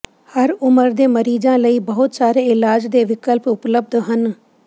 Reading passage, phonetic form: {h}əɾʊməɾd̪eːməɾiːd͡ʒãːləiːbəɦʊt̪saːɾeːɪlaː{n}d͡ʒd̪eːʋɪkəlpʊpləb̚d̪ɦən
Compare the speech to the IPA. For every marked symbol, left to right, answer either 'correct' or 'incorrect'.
correct, incorrect: none

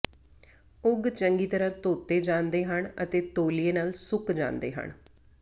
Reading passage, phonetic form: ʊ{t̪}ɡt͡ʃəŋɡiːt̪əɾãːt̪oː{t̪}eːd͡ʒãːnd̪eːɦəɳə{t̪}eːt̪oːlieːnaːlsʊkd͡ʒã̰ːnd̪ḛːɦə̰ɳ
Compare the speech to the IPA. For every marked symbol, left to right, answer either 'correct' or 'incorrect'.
incorrect: none, correct, correct

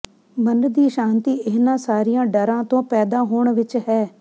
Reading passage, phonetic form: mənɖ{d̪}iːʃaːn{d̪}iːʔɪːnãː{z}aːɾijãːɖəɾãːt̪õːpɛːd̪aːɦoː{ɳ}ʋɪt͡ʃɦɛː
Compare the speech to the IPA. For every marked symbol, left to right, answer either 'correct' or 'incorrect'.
correct, incorrect: t̪, incorrect: s, correct

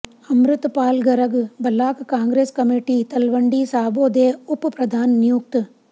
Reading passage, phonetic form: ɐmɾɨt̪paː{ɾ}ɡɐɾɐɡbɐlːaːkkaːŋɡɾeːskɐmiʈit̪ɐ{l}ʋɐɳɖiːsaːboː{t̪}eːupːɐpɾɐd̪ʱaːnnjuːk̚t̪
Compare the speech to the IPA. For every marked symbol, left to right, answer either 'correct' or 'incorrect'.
incorrect: l, correct, incorrect: d̪

